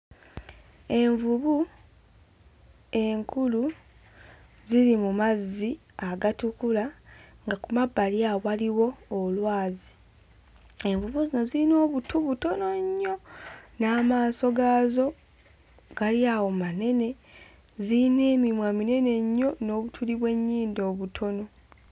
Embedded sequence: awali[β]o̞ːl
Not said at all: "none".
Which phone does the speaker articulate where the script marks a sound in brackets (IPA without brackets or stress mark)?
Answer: w